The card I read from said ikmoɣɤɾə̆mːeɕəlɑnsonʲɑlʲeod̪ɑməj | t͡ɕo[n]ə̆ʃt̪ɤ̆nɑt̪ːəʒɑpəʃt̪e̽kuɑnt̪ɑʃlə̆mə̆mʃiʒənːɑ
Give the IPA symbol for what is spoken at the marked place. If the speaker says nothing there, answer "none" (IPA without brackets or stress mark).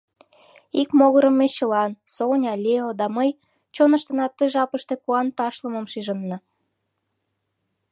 n